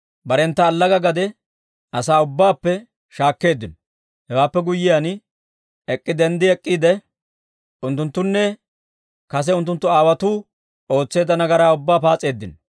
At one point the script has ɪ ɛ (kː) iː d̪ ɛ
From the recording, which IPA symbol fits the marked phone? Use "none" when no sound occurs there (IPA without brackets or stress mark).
kʼː